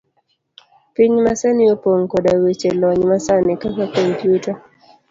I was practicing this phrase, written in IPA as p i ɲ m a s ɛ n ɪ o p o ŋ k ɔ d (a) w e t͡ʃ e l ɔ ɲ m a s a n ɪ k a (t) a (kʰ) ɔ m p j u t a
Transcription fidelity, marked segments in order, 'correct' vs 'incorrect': correct, incorrect: k, incorrect: k

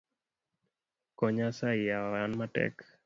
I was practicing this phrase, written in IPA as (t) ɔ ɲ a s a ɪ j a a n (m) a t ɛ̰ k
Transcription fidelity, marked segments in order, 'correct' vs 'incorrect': incorrect: k, correct

